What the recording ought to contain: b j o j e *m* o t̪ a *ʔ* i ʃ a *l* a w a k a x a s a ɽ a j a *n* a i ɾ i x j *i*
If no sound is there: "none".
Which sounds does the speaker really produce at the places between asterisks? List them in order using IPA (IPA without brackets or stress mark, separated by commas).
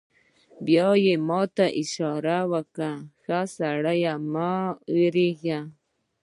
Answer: m, ʔ, ɾ, m, a